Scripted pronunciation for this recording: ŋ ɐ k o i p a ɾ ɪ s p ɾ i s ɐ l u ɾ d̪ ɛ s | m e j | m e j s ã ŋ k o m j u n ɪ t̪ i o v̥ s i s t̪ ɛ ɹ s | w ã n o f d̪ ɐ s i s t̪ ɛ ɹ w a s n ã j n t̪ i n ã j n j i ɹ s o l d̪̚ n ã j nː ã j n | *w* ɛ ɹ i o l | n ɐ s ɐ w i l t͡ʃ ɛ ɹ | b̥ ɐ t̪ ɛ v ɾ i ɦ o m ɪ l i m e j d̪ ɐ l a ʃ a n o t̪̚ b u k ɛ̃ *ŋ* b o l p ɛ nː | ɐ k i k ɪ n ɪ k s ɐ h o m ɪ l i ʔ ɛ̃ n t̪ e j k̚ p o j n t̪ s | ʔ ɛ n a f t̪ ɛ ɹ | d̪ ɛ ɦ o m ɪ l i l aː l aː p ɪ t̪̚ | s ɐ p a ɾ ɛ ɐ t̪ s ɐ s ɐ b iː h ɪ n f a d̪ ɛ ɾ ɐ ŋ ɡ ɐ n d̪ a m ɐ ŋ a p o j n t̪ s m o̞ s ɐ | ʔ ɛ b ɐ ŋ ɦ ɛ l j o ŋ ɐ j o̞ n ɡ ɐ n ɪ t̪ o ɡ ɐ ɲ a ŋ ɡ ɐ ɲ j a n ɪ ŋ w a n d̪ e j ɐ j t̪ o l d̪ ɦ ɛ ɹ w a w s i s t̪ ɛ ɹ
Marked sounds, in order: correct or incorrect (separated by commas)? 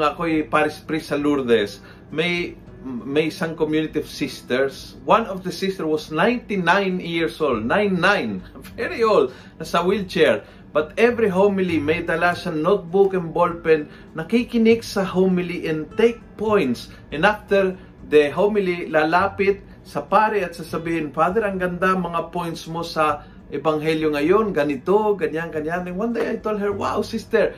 incorrect, incorrect